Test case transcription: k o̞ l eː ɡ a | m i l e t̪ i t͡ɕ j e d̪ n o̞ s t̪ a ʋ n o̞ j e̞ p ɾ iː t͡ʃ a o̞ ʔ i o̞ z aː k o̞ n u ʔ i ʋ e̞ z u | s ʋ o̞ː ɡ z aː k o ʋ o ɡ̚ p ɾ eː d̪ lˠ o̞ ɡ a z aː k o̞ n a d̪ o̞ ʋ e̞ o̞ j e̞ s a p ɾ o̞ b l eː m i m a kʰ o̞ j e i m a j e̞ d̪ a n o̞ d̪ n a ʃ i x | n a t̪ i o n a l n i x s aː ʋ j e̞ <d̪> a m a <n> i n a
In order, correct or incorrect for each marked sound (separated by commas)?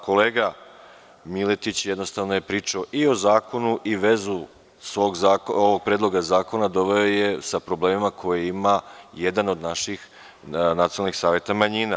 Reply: incorrect, incorrect